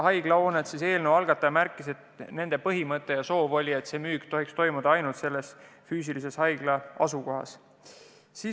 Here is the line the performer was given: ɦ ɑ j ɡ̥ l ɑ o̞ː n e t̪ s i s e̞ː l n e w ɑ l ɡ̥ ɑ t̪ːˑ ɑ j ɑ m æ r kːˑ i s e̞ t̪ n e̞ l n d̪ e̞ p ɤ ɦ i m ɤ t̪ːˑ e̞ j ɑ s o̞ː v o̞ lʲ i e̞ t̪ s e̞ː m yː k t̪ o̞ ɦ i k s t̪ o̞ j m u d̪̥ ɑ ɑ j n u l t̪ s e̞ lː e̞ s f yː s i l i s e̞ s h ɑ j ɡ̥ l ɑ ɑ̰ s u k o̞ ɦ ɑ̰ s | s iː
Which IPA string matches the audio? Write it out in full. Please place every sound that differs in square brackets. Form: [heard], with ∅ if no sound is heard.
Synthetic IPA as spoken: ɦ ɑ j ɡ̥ l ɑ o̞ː n e t̪ s i s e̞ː l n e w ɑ l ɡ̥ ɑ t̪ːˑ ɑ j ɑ m æ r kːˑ i s e̞ t̪ n e̞ [∅] n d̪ e̞ p ɤ ɦ i m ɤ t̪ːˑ e̞ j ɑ s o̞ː v o̞ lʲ i e̞ t̪ s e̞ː m yː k t̪ o̞ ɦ i k s t̪ o̞ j m u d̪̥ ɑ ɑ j n u l t̪ s e̞ lː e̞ s f yː s i l i s e̞ s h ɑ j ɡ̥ l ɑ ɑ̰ s u k o̞ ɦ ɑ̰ s | s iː